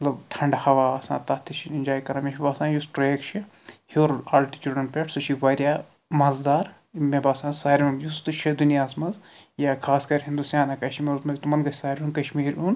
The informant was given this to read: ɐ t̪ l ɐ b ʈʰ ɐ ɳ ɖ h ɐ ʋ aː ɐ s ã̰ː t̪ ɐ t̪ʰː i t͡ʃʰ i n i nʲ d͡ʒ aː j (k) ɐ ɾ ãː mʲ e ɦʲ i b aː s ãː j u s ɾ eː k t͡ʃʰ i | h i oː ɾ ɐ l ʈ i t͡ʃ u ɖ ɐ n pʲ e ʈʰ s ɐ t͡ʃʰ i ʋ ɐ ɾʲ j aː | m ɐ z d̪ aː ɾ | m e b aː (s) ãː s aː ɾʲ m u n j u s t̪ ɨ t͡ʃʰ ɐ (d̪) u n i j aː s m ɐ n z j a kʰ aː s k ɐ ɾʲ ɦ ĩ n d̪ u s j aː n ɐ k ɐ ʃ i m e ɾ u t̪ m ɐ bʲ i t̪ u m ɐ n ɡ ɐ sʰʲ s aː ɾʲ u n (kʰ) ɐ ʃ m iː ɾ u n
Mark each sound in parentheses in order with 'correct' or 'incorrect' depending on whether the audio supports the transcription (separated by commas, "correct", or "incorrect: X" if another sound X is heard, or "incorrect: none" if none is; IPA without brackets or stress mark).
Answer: correct, correct, correct, incorrect: k